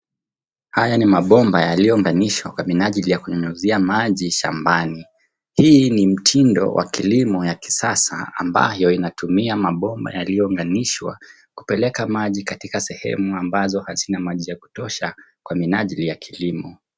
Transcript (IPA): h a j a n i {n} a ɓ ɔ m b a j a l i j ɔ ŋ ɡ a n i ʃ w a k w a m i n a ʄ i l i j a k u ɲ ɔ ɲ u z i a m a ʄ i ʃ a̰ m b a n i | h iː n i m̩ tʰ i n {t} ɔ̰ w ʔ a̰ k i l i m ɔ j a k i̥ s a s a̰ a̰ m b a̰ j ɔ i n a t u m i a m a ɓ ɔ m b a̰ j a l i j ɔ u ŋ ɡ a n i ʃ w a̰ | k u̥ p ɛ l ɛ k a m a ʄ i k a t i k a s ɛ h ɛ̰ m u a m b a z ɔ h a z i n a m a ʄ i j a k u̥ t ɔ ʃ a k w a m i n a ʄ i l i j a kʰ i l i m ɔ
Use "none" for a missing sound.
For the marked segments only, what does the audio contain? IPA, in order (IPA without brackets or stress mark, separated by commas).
m, d